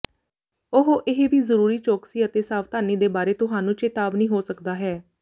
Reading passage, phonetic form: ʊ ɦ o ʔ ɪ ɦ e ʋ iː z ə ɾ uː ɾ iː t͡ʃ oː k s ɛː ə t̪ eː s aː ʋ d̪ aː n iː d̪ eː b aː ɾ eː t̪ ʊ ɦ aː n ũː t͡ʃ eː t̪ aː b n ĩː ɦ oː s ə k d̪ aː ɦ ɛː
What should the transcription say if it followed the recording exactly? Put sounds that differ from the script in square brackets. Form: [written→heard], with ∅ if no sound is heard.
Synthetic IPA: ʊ ɦ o ʔ ɪ ɦ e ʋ iː z ə ɾ uː ɾ iː t͡ʃ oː k s [ɛː→iː] ə t̪ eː s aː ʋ [d̪→t̪] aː n iː d̪ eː b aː ɾ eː t̪ ʊ ɦ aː n ũː t͡ʃ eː t̪ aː b n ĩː ɦ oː s ə k d̪ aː ɦ ɛː